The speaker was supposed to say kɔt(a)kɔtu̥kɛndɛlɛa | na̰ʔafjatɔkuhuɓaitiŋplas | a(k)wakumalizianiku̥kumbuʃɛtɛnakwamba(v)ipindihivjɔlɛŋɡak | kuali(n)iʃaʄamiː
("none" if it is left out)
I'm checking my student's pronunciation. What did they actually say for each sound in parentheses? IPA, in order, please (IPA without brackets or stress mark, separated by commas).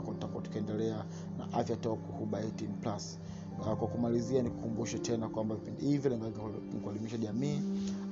a, k, v, m